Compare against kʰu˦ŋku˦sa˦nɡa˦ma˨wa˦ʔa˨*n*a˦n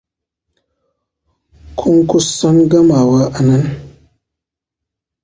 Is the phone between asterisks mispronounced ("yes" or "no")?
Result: no